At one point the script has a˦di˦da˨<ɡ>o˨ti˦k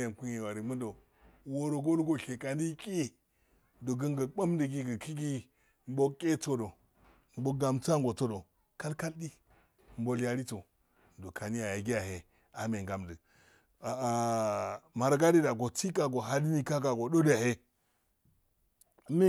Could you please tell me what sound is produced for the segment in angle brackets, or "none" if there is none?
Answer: ɡ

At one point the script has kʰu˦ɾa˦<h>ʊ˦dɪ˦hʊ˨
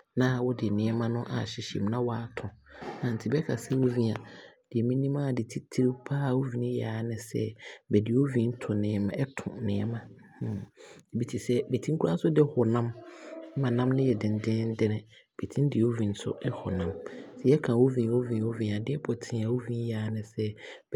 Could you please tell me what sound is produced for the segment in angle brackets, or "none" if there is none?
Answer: s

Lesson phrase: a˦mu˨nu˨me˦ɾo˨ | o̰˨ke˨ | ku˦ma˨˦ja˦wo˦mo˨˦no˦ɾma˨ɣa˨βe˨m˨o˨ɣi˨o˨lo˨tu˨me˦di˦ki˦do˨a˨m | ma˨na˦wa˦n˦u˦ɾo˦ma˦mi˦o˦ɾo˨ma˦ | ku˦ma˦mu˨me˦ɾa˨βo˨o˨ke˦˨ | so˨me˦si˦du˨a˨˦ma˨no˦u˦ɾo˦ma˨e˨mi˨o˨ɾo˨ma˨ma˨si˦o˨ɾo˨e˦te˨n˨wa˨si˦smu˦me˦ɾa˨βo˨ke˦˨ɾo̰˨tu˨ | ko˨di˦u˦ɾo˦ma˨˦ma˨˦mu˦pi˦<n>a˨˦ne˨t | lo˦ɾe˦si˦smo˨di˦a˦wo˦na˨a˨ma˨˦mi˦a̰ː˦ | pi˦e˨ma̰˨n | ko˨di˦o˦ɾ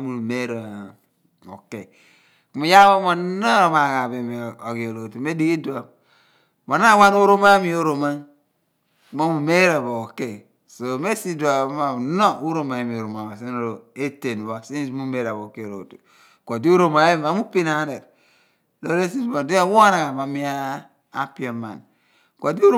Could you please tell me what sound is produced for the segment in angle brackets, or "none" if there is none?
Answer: n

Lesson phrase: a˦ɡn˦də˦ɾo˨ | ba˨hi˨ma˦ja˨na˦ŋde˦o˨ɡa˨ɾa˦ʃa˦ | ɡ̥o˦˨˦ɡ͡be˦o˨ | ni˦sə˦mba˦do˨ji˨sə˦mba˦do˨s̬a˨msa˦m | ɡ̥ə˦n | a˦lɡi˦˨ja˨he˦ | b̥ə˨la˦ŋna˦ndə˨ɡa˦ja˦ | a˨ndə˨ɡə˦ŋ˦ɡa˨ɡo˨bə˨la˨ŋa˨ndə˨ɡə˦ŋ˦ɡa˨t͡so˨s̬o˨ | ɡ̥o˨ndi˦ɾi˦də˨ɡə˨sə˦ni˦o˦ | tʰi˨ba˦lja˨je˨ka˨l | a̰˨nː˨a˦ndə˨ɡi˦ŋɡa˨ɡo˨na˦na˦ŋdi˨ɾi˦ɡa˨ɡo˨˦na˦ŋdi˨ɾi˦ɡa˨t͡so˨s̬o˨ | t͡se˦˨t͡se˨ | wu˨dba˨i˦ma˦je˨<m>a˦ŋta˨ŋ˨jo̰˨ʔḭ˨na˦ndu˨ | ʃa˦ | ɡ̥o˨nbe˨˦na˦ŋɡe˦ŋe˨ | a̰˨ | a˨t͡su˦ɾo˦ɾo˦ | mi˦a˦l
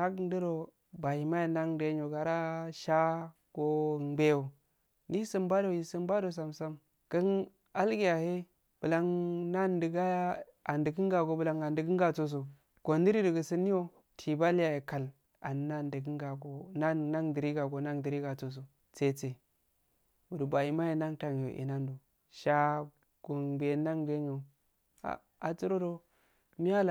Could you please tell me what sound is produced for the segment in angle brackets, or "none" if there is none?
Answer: n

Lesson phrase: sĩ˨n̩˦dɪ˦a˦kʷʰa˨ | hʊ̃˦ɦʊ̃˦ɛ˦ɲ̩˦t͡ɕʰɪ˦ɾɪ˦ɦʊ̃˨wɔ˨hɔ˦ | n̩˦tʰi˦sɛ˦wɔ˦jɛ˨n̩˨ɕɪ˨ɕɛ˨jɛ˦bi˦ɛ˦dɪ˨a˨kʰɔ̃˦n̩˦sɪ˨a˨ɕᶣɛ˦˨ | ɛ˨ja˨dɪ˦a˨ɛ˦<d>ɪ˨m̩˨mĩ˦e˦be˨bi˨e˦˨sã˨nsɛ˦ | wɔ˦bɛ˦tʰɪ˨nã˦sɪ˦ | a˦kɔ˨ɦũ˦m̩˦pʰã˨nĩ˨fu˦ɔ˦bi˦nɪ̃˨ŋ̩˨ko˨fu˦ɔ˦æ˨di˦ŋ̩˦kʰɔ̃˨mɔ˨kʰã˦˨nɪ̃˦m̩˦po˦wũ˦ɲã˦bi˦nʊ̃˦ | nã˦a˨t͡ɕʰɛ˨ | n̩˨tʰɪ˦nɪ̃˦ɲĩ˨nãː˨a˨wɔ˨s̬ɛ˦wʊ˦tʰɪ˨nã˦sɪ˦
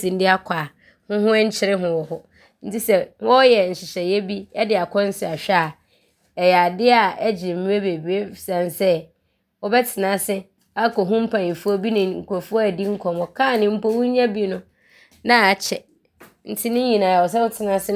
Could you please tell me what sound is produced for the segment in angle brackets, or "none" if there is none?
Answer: d͡ʑ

